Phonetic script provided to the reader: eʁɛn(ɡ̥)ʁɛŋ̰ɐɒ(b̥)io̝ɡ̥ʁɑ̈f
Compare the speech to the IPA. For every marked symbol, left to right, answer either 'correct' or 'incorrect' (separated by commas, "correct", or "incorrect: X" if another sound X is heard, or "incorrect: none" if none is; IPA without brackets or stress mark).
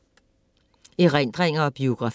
incorrect: d̥, correct